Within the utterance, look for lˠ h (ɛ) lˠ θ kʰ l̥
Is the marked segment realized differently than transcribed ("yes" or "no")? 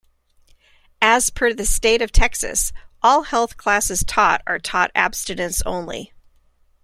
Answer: no